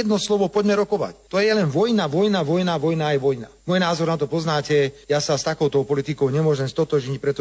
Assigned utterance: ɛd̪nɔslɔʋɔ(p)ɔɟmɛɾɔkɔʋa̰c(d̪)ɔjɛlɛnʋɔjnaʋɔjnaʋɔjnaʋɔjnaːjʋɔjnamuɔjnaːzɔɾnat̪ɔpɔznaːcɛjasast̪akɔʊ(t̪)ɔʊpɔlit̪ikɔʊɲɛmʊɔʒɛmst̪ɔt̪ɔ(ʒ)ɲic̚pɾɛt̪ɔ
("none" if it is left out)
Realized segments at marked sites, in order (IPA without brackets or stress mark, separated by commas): p, t̪, t̪, ʒ